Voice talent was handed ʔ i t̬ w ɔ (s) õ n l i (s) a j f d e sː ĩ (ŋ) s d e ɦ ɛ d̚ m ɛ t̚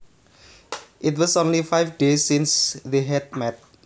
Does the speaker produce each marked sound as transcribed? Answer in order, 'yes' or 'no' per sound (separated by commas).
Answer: yes, no, no